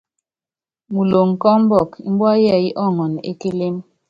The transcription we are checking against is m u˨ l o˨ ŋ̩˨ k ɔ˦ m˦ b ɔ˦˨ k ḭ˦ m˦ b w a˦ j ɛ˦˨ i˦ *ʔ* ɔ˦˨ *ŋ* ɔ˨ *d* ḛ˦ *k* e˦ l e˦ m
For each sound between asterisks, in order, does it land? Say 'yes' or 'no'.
yes, yes, no, yes

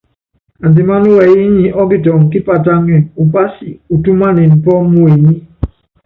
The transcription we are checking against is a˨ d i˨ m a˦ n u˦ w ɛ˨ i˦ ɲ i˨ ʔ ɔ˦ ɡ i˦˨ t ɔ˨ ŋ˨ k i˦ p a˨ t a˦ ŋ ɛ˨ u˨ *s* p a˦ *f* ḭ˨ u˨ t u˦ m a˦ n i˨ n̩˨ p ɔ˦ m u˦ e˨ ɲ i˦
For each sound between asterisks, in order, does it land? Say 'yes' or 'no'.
no, no

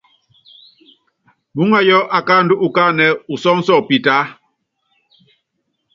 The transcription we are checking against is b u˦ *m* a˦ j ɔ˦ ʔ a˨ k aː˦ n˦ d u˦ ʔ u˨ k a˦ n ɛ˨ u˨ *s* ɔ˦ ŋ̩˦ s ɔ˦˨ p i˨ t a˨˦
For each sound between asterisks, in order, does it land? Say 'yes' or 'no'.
no, yes

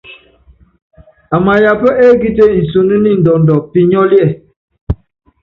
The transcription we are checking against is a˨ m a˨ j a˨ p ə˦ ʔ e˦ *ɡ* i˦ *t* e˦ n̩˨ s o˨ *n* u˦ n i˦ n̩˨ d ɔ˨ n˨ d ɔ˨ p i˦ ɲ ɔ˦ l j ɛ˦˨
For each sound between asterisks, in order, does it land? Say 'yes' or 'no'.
yes, yes, yes

